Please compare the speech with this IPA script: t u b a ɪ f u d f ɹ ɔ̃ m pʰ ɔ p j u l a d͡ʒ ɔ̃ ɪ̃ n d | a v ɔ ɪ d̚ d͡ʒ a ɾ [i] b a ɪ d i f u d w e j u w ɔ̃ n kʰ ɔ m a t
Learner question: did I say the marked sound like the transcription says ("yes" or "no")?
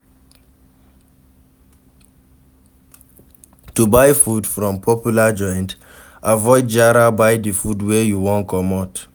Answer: no